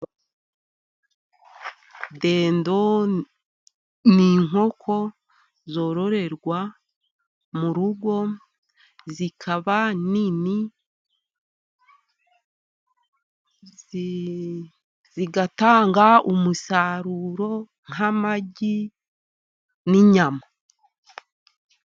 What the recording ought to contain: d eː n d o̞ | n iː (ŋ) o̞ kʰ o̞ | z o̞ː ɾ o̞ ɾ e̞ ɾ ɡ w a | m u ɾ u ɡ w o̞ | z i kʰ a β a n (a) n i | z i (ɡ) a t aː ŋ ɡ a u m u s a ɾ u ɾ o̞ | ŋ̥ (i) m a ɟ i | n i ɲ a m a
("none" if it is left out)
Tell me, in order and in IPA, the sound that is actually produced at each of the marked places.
ŋ, i, ɡ, a

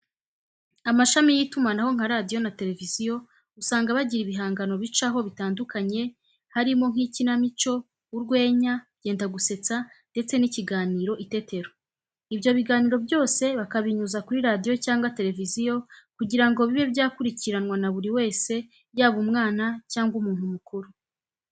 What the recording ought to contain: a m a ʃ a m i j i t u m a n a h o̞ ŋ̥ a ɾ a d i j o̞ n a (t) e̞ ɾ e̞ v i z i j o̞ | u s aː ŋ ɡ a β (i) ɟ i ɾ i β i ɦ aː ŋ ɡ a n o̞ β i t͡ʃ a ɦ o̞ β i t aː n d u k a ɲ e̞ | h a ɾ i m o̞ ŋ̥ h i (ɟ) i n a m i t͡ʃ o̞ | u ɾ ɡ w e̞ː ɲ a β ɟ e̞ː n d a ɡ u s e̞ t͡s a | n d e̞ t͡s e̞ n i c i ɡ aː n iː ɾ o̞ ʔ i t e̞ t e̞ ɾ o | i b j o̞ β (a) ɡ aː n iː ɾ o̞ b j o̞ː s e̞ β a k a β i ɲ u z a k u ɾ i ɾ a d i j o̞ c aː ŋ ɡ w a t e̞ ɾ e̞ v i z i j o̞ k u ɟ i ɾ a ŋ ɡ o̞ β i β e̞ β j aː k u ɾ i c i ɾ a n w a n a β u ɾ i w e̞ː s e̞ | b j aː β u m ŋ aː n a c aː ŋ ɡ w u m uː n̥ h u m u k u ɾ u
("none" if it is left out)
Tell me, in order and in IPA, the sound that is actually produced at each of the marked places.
t, a, c, i

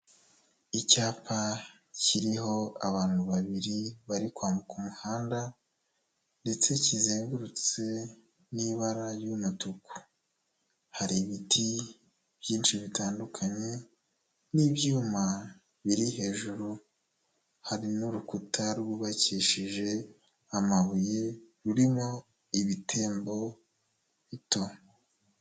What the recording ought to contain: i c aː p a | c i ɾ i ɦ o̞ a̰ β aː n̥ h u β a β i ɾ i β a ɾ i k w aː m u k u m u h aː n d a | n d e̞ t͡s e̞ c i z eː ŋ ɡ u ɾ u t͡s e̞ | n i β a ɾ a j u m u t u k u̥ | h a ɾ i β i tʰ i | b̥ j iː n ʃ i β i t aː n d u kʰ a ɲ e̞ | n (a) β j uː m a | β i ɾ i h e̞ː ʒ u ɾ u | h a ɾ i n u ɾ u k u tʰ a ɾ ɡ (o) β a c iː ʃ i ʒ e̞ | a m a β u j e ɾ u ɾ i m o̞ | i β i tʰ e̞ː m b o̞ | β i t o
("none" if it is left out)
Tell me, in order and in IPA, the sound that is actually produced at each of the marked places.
i, u

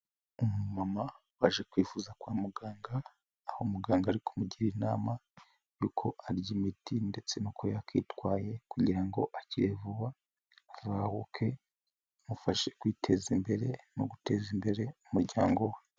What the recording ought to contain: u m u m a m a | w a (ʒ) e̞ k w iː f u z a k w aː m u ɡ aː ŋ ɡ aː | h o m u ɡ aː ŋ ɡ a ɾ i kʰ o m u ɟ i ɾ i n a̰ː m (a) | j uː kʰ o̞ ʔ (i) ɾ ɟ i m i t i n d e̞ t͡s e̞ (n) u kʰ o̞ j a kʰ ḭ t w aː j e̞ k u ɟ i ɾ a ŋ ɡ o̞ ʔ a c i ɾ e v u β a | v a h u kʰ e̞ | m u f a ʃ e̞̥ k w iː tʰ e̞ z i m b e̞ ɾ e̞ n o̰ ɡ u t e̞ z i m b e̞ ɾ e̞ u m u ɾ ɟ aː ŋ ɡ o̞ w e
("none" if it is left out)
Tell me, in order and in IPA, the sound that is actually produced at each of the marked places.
ʒ, a, a, n

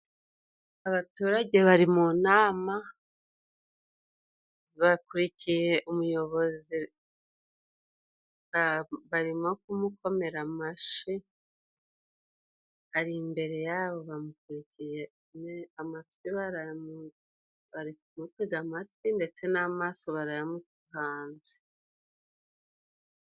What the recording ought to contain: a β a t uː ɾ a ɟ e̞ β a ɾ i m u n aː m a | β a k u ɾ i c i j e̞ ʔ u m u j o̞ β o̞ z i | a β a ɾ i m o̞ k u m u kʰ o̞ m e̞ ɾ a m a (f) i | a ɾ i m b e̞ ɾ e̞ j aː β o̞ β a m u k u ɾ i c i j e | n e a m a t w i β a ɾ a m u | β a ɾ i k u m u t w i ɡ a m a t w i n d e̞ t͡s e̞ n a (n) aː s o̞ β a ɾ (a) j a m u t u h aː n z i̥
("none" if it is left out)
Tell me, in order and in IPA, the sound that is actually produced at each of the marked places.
ʃ, m, a

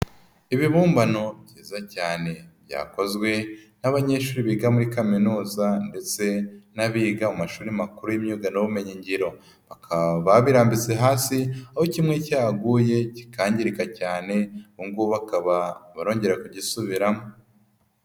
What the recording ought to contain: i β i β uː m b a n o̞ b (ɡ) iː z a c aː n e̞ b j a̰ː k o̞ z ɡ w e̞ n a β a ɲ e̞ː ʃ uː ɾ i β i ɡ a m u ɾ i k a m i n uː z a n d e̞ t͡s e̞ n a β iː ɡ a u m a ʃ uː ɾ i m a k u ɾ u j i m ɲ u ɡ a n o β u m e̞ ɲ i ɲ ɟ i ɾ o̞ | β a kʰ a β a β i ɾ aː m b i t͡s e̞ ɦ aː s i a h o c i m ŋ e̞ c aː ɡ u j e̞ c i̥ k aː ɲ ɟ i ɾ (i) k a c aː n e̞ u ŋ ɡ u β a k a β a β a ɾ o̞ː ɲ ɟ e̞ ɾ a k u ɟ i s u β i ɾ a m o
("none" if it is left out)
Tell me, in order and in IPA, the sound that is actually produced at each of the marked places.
ɟ, i

